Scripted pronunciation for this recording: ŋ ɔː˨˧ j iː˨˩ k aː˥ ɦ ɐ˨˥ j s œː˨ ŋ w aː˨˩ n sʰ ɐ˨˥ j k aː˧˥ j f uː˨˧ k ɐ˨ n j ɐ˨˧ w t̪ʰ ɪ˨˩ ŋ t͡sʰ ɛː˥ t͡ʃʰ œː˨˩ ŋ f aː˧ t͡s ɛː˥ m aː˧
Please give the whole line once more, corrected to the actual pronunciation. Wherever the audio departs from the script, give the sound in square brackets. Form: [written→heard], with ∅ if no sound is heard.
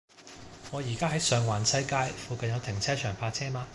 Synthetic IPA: ŋ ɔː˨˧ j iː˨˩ k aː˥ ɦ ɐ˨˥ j s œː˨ ŋ w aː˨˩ n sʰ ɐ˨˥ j k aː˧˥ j f uː˨˧ k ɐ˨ n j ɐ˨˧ w t̪ʰ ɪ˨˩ ŋ t͡sʰ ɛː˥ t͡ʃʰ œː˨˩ ŋ f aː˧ [t͡s→t͡sʰ] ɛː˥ m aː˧

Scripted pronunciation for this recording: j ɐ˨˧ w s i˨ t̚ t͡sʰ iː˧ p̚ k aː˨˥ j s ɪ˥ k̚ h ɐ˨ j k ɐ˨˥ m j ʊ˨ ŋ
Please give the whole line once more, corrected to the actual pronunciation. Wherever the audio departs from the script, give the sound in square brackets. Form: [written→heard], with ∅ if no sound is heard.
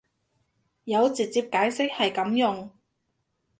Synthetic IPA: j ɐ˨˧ w [s→t͡s] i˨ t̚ [t͡sʰ→t͡s] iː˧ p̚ k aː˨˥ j s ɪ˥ k̚ h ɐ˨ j k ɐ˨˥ m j ʊ˨ ŋ

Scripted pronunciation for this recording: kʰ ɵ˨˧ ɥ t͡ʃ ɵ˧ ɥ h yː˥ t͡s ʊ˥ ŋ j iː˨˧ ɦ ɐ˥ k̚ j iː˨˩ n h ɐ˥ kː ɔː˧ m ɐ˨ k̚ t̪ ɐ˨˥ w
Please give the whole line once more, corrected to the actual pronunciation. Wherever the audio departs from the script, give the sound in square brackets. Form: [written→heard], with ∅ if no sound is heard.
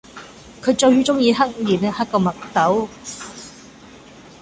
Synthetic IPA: kʰ ɵ˨˧ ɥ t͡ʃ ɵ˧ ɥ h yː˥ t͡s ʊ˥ ŋ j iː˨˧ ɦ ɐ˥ k̚ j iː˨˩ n h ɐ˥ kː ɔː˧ m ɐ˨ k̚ t̪ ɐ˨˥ w

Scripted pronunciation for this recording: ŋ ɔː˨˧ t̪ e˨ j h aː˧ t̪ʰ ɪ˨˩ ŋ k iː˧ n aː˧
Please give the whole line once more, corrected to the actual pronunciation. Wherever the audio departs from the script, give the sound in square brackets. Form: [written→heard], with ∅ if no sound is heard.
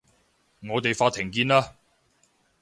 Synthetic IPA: ŋ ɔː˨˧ t̪ e˨ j [h→f] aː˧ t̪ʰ ɪ˨˩ ŋ k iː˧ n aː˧

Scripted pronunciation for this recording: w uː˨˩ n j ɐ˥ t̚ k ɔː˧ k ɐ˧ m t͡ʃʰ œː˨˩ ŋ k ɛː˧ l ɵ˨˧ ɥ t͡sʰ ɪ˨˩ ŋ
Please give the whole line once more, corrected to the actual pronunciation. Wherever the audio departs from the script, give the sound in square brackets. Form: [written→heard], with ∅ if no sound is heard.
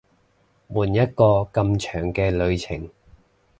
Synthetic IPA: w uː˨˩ n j ɐ˥ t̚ k ɔː˧ k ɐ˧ m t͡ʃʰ œː˨˩ ŋ k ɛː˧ l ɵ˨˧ ɥ t͡sʰ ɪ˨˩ ŋ

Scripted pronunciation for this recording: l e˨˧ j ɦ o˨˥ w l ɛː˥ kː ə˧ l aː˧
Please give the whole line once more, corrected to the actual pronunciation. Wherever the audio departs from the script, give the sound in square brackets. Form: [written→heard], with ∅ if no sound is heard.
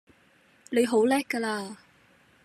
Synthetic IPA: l e˨˧ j ɦ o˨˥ w l ɛː˥ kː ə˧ l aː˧

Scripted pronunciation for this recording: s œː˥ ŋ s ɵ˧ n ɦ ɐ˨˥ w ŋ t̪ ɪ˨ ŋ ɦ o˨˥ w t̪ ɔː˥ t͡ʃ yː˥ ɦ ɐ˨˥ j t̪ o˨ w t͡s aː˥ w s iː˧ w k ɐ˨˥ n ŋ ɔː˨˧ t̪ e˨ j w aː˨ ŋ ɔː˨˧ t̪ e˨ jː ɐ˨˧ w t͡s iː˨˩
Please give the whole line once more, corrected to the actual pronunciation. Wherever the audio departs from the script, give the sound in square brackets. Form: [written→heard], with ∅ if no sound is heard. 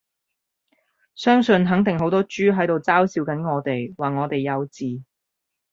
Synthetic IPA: s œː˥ ŋ s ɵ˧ n ɦ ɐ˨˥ [w→∅] ŋ t̪ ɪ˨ ŋ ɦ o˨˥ w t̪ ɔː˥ t͡ʃ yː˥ ɦ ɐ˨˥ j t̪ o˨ w t͡s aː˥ w s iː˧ w k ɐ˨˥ n ŋ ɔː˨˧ t̪ e˨ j w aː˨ ŋ ɔː˨˧ t̪ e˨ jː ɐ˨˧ w t͡s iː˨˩

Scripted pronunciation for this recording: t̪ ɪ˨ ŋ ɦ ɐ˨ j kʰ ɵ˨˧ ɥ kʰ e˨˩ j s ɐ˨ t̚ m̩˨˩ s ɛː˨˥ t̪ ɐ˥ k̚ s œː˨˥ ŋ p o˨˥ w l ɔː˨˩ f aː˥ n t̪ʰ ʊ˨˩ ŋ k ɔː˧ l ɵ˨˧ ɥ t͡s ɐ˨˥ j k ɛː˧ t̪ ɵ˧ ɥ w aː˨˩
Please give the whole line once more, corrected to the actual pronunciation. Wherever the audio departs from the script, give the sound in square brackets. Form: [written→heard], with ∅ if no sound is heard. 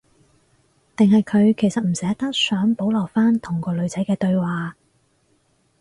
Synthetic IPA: t̪ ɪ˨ ŋ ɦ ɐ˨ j kʰ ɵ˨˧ ɥ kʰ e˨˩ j s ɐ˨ t̚ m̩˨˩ s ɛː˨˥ t̪ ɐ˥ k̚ s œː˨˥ ŋ p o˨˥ w l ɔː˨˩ f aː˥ n t̪ʰ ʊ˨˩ ŋ k ɔː˧ l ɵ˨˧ ɥ t͡s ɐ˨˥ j k ɛː˧ t̪ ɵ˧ ɥ w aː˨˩

